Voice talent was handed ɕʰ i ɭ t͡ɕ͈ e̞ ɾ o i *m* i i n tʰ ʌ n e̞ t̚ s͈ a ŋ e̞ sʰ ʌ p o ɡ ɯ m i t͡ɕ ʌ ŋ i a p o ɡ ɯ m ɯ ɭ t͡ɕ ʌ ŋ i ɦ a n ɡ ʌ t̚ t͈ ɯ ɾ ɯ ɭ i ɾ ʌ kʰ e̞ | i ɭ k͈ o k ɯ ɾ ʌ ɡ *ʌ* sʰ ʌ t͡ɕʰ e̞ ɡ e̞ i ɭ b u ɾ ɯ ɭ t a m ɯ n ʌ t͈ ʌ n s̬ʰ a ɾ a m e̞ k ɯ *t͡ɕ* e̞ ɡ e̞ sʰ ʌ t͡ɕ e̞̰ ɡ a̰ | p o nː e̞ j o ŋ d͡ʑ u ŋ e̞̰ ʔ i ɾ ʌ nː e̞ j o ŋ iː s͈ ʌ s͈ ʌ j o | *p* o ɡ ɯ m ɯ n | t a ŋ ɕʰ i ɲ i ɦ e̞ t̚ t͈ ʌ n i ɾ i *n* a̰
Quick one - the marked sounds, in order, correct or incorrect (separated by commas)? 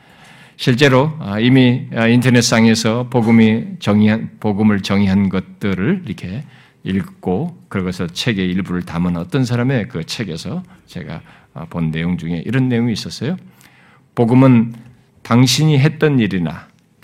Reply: correct, correct, incorrect, correct, correct